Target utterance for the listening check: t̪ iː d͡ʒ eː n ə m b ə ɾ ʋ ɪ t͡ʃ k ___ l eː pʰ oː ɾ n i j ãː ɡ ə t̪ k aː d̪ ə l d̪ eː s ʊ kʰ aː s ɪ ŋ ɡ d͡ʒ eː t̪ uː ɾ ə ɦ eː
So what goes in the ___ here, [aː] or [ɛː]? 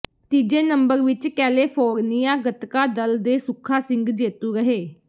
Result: ɛː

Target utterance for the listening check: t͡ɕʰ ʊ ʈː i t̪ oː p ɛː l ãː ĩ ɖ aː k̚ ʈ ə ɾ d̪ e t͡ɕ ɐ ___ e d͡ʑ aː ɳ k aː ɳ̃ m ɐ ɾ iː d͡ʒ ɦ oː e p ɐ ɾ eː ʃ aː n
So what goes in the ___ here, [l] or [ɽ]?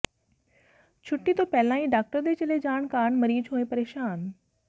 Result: l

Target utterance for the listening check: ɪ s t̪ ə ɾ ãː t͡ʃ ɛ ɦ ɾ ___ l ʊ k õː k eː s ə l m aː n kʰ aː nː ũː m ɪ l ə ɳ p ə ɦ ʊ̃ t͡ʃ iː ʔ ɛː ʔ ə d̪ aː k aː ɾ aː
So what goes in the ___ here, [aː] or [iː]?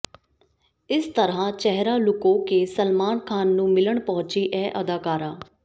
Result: aː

